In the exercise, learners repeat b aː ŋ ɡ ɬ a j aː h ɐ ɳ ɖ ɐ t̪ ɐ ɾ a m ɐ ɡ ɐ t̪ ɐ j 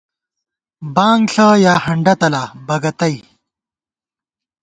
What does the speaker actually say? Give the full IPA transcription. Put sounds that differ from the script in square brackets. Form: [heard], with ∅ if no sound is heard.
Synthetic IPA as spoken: b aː ŋ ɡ ɬ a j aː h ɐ ɳ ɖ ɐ t̪ ɐ [l] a [b] ɐ ɡ ɐ t̪ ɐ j